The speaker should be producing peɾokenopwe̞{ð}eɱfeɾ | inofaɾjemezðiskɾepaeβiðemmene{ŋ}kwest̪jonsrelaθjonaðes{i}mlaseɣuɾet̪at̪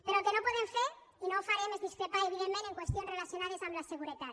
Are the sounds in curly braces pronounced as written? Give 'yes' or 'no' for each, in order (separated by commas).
yes, yes, no